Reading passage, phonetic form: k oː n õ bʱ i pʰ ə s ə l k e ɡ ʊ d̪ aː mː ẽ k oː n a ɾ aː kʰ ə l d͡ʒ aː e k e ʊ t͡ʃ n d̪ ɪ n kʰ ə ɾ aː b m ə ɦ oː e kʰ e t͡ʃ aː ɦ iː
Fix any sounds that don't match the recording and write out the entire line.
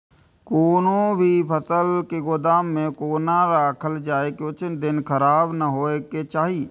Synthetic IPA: k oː n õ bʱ i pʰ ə s ə l k e ɡ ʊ d̪ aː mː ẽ k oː n a ɾ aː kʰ ə l d͡ʒ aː e k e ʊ t͡ʃ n d̪ ɪ n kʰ ə ɾ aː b n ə ɦ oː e k e t͡ʃ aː ɦ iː

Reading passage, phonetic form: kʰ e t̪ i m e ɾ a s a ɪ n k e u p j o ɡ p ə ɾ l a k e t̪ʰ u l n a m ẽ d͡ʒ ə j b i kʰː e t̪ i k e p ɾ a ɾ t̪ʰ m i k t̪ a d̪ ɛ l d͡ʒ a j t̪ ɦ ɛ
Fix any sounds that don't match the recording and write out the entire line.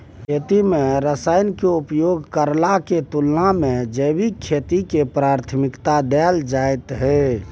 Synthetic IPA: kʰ e t̪ i m e ɾ ə s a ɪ n k e u p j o ɡ k ə ɾ l a k e t̪ u l n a m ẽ d͡ʒ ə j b i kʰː e t̪ i k e p ɾ a ɾ t̪ʰ m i k t̪ a d̪ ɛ l d͡ʒ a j t̪ ɦ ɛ

